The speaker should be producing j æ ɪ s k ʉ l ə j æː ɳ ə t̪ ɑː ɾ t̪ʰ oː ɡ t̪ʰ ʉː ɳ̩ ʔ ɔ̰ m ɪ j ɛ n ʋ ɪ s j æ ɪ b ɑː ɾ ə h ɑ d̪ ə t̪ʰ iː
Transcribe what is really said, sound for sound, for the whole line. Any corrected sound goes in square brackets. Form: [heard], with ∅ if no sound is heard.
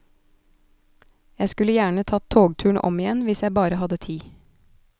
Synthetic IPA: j æ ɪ s k ʉ l ə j æː ɳ ə [t̪ʰ] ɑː [∅] t̪ʰ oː ɡ t̪ʰ ʉː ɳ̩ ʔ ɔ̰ m ɪ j ɛ n ʋ ɪ s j æ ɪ b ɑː ɾ ə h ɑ d̪ ə t̪ʰ iː